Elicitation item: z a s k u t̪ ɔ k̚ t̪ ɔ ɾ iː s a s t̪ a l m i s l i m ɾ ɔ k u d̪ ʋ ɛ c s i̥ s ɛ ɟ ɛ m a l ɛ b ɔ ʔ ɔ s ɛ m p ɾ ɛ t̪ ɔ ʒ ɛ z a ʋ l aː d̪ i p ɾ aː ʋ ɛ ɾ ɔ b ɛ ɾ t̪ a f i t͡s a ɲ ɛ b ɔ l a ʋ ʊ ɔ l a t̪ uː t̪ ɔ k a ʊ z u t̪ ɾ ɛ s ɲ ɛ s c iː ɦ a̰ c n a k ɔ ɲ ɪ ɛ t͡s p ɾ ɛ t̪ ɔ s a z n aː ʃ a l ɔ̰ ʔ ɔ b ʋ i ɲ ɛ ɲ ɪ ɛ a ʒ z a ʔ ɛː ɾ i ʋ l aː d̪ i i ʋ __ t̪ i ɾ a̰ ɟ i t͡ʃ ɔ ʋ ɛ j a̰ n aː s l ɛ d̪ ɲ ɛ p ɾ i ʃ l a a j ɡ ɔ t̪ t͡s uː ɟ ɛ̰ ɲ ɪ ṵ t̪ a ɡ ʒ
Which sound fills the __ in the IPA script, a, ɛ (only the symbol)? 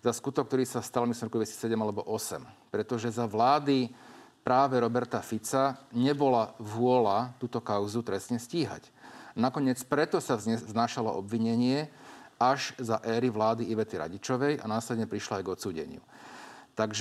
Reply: ɛ